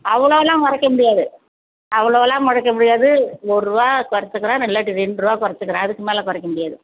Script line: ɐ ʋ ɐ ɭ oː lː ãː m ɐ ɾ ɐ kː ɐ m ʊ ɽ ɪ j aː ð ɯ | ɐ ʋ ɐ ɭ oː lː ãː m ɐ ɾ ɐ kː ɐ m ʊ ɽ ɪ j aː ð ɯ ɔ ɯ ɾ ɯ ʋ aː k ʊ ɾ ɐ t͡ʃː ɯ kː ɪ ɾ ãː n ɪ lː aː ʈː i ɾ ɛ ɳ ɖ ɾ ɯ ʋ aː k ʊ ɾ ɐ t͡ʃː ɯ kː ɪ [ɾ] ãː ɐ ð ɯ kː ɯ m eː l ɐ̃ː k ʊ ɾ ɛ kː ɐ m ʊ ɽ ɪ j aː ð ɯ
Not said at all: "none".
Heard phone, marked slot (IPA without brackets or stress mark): ɾ